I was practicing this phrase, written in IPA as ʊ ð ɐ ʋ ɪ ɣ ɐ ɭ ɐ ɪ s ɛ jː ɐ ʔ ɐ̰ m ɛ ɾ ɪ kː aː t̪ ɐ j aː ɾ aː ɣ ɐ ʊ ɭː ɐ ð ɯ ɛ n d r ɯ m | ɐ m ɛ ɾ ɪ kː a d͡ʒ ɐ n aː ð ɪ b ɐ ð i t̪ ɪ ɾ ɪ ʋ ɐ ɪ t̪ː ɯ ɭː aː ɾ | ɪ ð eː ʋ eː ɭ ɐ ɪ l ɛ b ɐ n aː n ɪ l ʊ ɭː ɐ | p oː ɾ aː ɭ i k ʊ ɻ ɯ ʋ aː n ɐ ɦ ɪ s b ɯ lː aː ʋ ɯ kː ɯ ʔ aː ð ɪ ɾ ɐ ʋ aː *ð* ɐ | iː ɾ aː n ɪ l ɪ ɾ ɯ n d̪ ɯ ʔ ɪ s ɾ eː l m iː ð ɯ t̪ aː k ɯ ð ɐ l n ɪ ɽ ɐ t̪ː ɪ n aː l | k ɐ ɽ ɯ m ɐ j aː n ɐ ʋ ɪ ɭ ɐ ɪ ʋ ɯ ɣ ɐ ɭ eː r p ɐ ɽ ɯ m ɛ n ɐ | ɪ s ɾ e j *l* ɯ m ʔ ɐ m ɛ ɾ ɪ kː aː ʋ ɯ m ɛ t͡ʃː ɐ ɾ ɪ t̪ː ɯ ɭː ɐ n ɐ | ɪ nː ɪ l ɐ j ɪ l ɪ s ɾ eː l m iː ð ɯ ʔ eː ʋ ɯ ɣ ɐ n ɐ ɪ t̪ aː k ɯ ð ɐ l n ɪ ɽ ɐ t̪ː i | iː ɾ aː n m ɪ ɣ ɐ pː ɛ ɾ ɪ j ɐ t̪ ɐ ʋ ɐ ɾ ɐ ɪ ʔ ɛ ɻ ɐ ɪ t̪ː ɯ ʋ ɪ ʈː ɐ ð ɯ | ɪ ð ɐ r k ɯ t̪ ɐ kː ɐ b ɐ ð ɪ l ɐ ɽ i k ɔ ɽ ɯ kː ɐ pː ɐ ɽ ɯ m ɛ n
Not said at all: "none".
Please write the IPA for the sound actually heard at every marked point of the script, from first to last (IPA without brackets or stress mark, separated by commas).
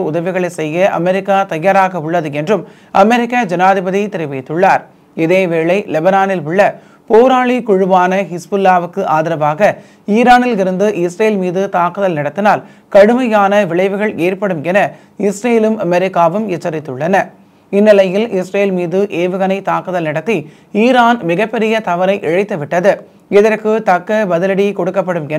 ɣ, l